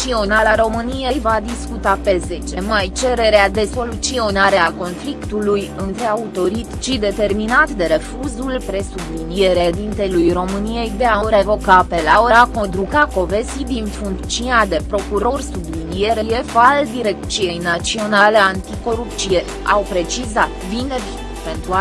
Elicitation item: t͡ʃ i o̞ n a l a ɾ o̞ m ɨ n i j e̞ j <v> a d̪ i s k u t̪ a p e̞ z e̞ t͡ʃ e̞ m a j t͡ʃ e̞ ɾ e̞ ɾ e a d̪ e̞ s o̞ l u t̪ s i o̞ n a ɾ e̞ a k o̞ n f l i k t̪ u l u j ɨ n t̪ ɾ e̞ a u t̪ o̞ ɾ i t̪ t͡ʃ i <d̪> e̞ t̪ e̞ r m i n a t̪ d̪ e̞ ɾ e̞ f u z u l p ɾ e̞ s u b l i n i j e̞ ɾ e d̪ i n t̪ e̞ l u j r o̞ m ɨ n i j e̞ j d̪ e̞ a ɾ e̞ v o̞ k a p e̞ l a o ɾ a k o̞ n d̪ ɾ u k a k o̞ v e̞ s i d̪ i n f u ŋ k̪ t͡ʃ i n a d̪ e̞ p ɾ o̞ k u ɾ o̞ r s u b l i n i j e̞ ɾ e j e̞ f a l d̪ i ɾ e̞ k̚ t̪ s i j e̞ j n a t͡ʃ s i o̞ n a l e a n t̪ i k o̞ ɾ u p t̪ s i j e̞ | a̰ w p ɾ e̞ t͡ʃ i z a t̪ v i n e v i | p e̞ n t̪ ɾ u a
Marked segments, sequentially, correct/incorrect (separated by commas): correct, correct